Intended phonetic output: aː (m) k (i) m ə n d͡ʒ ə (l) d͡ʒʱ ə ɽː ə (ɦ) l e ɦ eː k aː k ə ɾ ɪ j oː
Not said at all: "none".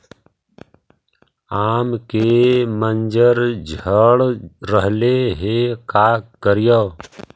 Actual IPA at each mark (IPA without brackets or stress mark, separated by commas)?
m, e, ɾ, ɦ